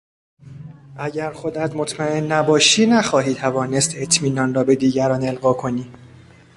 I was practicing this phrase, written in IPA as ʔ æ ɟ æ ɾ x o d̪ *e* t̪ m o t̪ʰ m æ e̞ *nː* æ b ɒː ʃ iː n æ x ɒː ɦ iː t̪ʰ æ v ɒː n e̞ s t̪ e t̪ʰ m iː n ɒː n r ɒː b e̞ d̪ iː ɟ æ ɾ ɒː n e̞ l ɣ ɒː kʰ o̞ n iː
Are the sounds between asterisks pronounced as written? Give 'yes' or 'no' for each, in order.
no, yes

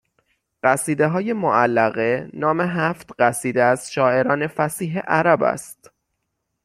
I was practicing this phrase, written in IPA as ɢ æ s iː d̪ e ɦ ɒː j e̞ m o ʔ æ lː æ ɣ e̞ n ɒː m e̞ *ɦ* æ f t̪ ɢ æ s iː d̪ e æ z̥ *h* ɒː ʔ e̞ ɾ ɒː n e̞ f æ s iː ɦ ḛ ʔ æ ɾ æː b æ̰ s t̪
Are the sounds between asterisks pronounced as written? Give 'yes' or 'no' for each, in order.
yes, no

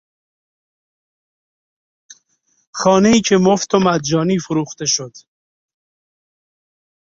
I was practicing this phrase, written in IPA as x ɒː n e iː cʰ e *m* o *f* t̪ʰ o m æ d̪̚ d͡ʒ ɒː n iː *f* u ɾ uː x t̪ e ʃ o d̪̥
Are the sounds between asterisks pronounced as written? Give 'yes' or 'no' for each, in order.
yes, yes, yes

